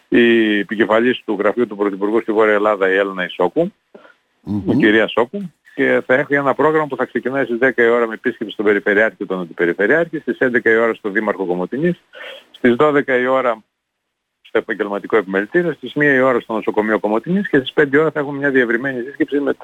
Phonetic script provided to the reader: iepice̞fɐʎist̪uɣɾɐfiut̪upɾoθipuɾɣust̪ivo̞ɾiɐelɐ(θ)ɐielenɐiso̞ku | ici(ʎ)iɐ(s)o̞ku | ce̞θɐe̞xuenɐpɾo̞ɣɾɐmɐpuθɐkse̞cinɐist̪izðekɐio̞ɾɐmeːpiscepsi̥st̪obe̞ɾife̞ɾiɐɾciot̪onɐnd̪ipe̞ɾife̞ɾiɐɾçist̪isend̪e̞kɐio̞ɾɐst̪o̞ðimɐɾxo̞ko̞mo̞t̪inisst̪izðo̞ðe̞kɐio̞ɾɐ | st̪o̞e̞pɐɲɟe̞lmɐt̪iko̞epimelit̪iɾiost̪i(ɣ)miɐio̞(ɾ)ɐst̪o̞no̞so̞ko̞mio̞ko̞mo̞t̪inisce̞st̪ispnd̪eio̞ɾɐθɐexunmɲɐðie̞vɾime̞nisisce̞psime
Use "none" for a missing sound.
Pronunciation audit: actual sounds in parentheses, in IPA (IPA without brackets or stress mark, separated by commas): ð, ɾ, s, z, ɾ